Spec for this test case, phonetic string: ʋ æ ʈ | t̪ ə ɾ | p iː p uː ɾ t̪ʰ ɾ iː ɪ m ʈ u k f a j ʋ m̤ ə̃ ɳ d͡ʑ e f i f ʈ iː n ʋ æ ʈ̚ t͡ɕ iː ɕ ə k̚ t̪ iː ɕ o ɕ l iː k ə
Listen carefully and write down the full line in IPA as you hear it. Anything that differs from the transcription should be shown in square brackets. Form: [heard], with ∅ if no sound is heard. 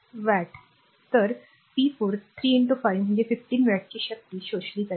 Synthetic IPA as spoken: ʋ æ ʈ | t̪ ə ɾ | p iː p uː ɾ t̪ʰ ɾ iː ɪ [ɳ] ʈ u [∅] f a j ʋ m̤ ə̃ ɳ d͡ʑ e f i f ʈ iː n ʋ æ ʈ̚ t͡ɕ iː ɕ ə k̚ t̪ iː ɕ o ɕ l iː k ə